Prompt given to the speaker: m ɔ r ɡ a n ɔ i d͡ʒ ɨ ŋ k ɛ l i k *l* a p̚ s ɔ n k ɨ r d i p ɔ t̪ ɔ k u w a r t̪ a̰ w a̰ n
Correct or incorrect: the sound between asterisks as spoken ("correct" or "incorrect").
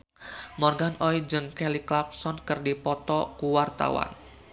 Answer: correct